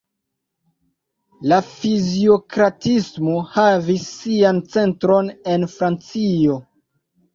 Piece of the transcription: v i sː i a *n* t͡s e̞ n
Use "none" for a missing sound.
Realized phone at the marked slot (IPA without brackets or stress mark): n